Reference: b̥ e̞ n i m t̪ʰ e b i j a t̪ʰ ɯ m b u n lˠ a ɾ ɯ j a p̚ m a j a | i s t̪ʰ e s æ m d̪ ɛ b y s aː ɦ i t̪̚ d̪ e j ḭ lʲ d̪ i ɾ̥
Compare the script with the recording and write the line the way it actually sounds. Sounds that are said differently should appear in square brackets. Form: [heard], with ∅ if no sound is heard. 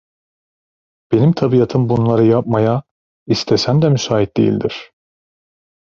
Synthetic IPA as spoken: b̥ e̞ n i m t̪ʰ [a] b i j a t̪ʰ ɯ m b u n lˠ a ɾ ɯ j a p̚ m a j a | i s t̪ʰ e s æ m d̪ ɛ [m] y s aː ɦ i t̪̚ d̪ e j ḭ lʲ d̪ i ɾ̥